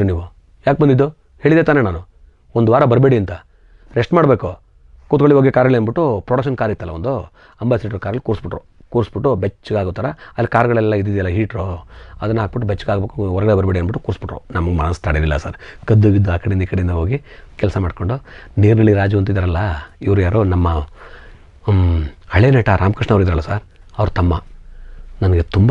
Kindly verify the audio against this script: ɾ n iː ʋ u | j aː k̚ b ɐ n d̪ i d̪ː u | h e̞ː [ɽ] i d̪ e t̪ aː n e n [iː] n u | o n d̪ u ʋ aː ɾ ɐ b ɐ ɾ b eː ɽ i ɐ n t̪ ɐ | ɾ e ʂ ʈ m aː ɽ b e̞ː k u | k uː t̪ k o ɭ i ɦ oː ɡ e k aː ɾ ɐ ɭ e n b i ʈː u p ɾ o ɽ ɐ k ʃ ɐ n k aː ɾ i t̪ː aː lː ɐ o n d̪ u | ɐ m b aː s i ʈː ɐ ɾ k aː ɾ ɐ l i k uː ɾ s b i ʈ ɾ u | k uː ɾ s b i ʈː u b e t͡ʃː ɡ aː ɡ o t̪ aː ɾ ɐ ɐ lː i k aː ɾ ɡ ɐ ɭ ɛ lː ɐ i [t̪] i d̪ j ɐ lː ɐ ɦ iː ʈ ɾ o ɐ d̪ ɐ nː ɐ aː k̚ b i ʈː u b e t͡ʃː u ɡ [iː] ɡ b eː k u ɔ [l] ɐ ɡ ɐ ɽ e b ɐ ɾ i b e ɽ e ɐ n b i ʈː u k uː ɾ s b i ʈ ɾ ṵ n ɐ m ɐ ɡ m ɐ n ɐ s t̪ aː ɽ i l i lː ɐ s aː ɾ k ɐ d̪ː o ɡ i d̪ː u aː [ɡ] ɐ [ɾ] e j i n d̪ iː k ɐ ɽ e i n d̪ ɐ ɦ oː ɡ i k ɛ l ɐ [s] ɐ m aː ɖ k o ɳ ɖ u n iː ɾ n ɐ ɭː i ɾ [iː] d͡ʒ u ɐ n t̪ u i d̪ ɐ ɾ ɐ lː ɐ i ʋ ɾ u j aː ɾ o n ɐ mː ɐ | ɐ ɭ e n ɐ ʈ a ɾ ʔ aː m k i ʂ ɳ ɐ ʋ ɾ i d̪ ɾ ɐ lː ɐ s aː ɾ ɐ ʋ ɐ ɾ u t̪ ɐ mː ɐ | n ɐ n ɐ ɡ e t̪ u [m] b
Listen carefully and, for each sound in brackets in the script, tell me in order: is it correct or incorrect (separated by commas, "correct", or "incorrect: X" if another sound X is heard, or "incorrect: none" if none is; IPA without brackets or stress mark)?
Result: incorrect: ɭ, incorrect: aː, incorrect: d̪, incorrect: aː, incorrect: ɾ, incorrect: k, incorrect: ɽ, correct, incorrect: aː, correct